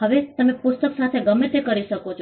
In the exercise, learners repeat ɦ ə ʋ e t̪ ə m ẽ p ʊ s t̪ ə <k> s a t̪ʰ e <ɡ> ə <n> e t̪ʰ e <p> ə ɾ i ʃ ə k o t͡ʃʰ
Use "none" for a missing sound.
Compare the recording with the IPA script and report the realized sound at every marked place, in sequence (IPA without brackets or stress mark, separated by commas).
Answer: k, ɡ, m, k